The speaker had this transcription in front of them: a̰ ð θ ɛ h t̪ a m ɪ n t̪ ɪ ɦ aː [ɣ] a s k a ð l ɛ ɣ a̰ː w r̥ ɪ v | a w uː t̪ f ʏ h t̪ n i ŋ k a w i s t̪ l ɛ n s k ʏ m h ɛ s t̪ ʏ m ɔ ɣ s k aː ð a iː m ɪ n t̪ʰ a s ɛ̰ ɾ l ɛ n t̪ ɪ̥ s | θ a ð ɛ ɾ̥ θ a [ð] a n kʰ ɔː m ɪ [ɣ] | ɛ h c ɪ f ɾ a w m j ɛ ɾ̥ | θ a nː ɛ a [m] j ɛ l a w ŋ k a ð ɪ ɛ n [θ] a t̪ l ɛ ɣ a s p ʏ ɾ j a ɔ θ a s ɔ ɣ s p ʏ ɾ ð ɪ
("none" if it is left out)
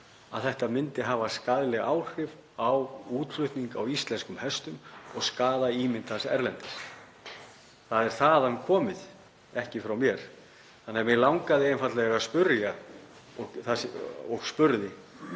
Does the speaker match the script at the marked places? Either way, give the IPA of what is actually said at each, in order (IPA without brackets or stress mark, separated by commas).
v, ð, ð, m, f